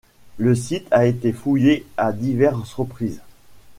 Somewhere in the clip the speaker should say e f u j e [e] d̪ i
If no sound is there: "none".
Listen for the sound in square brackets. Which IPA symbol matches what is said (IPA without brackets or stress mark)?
a